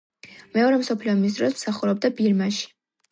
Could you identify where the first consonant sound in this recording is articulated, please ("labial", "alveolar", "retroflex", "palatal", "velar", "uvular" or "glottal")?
labial